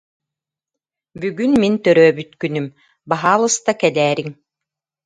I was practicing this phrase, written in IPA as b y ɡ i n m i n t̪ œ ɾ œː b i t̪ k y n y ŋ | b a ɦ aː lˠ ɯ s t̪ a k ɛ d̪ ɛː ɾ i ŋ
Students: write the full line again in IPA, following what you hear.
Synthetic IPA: b y ɡ y n m i n t̪ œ ɾ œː b y t̪ k y n y m | b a ɦ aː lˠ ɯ s t̪ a k ɛ d̪ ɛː ɾ i ŋ

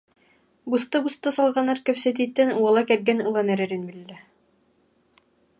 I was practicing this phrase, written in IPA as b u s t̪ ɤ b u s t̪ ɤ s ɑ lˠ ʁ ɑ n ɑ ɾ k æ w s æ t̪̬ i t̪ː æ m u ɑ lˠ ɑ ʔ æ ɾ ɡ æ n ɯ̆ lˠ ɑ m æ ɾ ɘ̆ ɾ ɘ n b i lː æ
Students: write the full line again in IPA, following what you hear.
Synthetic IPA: b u s t̪ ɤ b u s t̪ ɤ s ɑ lˠ ʁ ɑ n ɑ ɾ k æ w s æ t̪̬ i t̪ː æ n u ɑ lˠ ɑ k æ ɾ ɡ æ n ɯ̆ lˠ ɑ n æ ɾ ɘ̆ ɾ ɘ n b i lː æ

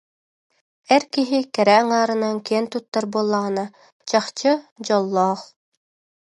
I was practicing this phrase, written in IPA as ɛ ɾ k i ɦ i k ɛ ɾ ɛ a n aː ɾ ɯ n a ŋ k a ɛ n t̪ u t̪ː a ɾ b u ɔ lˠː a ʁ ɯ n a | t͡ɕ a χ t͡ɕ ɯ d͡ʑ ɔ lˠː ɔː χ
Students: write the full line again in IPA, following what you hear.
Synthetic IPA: ɛ ɾ k i ɦ i k ɛ ɾ ɛ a ŋ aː ɾ ɯ n a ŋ k i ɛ n t̪ u t̪ː a ɾ b u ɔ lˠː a ʁ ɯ n a | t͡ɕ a χ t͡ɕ ɯ d͡ʑ ɔ lˠː ɔː χ

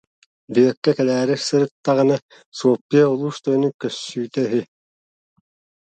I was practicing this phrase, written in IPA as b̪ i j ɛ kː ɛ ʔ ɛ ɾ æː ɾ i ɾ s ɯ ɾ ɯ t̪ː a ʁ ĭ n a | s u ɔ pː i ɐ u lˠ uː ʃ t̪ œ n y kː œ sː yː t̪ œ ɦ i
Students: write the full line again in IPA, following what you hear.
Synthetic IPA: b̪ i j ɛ kː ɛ k ɛ l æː ɾ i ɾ s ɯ ɾ ɯ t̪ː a ʁ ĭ n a | s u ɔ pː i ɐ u lˠ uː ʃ t̪ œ n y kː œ sː yː t̪ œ ɦ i

